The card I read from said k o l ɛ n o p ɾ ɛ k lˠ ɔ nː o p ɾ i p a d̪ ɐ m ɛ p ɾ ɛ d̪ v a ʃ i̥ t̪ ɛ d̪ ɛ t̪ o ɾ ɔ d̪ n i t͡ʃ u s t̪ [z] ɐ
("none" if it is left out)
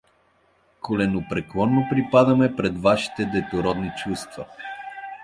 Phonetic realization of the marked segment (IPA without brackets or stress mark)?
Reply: v